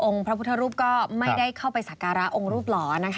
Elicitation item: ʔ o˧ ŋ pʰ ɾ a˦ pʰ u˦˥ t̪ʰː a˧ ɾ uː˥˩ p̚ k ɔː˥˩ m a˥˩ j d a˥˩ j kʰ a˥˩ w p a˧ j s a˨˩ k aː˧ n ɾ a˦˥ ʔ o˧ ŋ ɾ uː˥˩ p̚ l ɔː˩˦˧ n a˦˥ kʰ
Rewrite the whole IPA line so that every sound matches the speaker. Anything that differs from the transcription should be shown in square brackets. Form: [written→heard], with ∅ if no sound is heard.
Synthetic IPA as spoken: ʔ o˧ ŋ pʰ ɾ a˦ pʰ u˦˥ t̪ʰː a˧ ɾ uː˥˩ p̚ k ɔː˥˩ m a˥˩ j d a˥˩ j kʰ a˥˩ w p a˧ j s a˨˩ k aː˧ [n→∅] ɾ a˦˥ ʔ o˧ ŋ ɾ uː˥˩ p̚ l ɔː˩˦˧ n a˦˥ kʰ